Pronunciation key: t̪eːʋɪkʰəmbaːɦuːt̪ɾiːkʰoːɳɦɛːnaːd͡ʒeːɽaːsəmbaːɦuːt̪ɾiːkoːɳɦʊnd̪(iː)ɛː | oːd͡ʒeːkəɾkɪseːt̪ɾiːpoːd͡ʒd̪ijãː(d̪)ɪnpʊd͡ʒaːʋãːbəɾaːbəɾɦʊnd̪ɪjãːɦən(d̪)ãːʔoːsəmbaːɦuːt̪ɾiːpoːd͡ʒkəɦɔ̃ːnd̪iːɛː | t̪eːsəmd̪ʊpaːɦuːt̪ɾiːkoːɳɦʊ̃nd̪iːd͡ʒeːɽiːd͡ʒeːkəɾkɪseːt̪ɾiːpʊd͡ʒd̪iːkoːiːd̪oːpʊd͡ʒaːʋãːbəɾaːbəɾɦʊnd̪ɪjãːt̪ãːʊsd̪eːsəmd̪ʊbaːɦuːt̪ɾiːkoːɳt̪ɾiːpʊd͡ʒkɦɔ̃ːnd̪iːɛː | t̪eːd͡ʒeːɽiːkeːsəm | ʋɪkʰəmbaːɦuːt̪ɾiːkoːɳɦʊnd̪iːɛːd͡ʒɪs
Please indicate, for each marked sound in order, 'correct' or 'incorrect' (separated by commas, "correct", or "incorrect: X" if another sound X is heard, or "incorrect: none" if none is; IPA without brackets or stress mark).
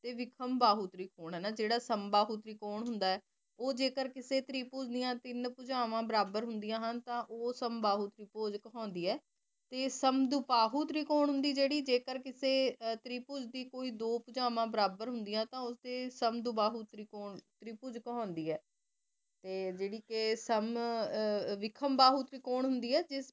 incorrect: aː, incorrect: t̪, incorrect: t̪